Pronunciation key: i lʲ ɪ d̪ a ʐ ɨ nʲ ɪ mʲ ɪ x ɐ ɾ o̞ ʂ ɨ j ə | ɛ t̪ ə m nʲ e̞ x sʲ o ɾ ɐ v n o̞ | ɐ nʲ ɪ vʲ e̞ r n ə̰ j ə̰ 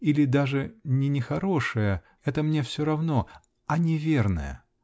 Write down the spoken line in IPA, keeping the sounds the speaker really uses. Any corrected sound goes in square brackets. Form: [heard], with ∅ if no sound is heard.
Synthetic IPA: i lʲ ɪ d̪ a ʐ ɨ nʲ ɪ [nʲ] ɪ x ɐ ɾ o̞ ʂ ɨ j ə | ɛ t̪ ə m nʲ e̞ [f] sʲ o ɾ ɐ v n o̞ | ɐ nʲ ɪ vʲ e̞ r n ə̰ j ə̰